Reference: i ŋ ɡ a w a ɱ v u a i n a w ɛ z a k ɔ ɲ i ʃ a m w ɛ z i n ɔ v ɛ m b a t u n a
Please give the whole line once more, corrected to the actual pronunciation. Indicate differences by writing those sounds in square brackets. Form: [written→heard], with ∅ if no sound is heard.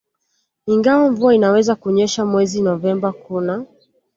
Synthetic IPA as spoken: i ŋ ɡ a w a ɱ v u a i n a w ɛ z a k [ɔ→u] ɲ [i→ɛ] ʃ a m w ɛ z i n ɔ v ɛ m b a [t→k] u n a